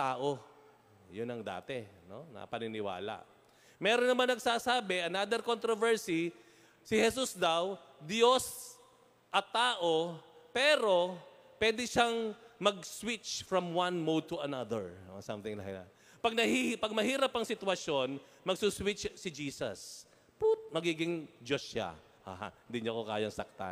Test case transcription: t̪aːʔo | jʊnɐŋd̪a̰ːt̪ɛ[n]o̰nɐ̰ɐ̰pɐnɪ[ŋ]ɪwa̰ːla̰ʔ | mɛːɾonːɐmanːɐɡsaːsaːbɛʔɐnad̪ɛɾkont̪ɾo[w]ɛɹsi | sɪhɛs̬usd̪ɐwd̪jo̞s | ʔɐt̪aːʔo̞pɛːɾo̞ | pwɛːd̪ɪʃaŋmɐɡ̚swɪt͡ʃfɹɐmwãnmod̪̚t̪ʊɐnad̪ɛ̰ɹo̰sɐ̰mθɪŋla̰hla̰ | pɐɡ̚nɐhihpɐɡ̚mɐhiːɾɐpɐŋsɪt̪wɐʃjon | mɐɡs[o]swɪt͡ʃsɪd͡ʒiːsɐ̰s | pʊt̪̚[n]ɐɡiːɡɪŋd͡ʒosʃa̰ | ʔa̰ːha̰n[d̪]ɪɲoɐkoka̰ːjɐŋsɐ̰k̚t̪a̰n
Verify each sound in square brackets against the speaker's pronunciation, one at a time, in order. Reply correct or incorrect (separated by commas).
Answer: correct, incorrect, incorrect, incorrect, incorrect, correct